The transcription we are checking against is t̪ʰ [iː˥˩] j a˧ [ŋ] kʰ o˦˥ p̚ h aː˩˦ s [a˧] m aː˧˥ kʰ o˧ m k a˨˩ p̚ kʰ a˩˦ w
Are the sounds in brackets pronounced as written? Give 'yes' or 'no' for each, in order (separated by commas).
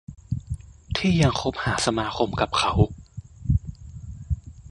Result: yes, yes, yes